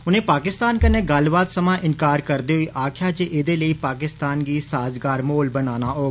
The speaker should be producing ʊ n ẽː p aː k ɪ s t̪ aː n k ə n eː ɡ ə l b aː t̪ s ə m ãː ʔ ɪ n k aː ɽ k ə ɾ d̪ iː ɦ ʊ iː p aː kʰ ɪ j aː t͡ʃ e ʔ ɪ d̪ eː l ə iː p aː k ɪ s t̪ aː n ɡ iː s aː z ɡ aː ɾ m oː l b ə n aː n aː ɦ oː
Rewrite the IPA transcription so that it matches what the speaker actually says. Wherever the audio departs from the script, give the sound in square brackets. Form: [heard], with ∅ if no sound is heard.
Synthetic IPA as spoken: ʊ n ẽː p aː k ɪ s t̪ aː n k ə n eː ɡ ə l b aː t̪ s ə m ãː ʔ ɪ n k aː [ɾ] k ə ɾ d̪ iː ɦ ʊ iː [ʔ] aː kʰ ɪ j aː t͡ʃ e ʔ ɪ d̪ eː l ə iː p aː k ɪ s t̪ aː n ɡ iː s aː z ɡ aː ɾ m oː l b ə n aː n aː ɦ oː